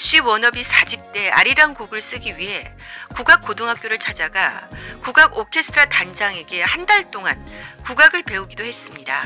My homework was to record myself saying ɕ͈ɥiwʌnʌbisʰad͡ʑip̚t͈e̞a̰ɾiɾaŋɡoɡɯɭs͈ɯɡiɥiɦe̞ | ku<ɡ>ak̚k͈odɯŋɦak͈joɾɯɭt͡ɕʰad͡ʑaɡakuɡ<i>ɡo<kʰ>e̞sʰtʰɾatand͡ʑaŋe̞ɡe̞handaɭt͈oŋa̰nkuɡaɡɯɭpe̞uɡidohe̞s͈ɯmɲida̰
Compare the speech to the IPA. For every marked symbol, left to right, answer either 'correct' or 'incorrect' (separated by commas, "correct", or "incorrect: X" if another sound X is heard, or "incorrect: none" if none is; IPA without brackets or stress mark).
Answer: correct, incorrect: a, correct